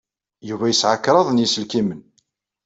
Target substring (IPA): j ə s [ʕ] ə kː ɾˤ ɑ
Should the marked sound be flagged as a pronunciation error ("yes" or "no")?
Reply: no